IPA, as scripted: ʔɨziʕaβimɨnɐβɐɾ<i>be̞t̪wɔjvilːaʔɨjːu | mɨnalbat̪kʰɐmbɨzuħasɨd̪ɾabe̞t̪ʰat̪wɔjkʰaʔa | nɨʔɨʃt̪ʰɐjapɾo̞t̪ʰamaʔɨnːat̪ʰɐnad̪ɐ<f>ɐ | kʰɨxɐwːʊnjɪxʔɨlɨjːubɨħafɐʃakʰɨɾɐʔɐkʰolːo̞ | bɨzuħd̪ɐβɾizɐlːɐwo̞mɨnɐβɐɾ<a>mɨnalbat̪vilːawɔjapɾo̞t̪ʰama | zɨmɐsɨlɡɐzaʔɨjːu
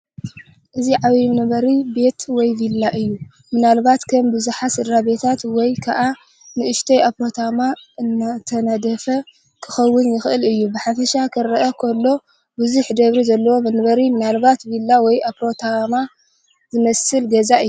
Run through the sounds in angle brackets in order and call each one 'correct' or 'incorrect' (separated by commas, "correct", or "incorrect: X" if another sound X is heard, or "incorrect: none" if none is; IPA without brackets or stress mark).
correct, correct, incorrect: i